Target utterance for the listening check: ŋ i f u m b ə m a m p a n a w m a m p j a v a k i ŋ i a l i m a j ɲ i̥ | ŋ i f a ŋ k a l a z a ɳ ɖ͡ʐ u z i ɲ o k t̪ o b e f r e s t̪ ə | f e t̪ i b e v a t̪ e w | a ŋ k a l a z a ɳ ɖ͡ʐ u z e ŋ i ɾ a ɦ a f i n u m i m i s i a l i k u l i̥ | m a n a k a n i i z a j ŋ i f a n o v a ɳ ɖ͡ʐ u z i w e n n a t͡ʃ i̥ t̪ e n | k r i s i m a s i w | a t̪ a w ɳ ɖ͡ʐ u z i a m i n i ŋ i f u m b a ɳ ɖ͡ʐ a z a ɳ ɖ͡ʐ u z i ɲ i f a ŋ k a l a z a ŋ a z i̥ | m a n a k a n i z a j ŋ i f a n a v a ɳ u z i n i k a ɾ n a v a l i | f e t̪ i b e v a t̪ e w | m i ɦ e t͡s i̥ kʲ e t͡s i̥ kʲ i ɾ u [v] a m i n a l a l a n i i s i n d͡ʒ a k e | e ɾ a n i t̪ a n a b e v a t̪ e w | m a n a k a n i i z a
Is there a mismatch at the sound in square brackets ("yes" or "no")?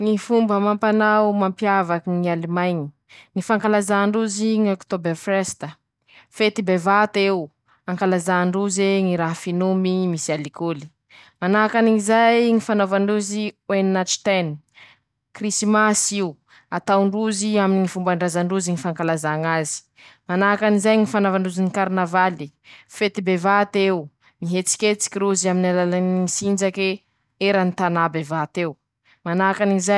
yes